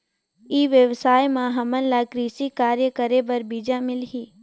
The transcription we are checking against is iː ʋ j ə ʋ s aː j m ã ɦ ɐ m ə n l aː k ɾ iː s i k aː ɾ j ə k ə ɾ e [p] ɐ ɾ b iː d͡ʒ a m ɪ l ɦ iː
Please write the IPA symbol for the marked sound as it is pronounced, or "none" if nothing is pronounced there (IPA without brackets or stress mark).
b